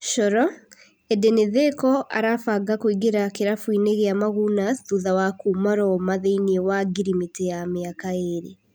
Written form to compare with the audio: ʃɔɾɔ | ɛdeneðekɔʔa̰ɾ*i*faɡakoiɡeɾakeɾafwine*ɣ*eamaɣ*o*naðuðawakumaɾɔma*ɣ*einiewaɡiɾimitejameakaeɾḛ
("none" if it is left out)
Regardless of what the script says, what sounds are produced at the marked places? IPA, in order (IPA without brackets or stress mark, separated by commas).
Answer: a, ɣ, u, ð